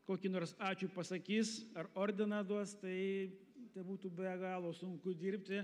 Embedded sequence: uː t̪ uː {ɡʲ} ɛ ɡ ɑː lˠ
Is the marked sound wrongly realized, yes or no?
yes